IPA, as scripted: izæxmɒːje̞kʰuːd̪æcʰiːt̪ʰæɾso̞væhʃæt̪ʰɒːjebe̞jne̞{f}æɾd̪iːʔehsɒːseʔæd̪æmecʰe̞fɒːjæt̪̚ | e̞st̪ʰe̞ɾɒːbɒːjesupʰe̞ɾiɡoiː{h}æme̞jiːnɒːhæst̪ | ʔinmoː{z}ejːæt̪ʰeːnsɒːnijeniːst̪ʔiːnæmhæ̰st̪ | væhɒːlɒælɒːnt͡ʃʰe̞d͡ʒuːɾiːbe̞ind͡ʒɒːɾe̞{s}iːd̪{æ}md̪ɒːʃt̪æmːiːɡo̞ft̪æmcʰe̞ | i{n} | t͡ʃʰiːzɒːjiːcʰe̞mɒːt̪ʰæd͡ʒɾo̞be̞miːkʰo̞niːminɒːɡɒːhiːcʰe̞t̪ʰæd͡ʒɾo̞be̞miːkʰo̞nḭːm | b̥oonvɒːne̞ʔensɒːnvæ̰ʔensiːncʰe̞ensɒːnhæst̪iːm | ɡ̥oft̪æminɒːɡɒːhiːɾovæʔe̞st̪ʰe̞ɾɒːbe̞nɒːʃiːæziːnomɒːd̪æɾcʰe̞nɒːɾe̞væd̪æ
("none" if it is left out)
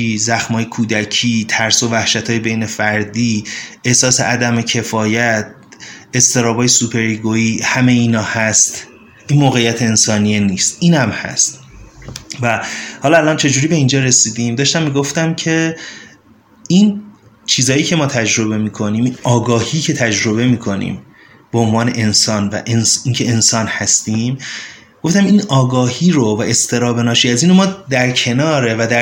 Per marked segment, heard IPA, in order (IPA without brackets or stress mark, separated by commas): f, h, ɣ, s, i, n